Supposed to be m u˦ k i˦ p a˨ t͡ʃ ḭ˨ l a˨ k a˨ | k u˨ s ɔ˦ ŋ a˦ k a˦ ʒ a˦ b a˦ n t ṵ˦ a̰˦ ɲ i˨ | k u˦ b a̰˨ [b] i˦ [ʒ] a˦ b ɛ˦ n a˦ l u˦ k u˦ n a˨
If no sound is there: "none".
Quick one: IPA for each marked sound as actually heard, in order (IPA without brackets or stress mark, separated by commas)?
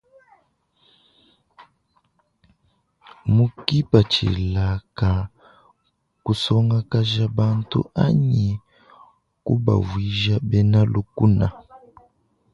v, ʒ